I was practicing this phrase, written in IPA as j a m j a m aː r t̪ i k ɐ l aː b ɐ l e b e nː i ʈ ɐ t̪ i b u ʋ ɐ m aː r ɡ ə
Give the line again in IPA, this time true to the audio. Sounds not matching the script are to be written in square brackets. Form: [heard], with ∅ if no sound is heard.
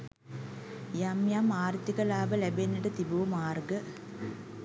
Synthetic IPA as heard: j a m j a m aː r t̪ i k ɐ l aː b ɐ l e b e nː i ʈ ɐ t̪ i b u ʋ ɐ m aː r ɡ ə